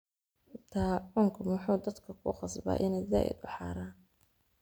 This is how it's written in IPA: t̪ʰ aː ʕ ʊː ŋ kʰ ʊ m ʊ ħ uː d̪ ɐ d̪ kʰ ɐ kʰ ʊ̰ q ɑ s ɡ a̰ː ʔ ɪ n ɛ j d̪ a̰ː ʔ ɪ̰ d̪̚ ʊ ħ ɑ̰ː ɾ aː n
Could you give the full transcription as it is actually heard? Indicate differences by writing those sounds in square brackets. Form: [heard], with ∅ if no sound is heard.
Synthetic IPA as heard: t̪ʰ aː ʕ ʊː ŋ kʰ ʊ m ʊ ħ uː d̪ ɐ d̪ kʰ ɐ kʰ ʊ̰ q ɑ s [b] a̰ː ʔ ɪ n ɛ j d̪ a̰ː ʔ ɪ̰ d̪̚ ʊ ħ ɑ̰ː ɾ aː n